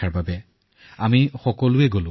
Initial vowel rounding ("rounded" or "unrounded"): unrounded